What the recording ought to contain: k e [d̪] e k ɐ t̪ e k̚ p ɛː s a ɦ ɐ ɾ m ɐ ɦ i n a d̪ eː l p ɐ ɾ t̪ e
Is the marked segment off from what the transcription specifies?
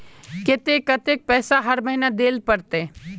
yes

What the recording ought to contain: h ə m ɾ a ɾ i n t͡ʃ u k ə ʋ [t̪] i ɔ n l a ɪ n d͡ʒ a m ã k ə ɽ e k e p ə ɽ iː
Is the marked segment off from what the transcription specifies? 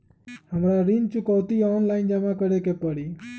no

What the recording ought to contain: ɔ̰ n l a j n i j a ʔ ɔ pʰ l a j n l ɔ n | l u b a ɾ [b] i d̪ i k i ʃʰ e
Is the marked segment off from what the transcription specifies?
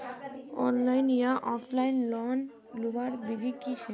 no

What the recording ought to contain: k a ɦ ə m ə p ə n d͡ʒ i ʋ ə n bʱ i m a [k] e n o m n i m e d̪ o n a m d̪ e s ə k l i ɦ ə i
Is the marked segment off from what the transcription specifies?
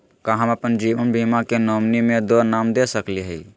no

